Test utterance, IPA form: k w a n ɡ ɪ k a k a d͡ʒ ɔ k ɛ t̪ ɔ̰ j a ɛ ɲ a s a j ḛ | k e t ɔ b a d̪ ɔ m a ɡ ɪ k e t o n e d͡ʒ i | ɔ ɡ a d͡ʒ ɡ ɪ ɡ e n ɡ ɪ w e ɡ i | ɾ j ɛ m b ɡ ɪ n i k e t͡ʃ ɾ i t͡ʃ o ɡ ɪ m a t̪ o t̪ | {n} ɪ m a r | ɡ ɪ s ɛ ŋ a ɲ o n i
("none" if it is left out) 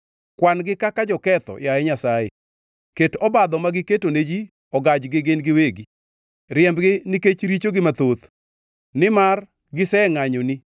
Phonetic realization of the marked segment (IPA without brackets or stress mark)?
n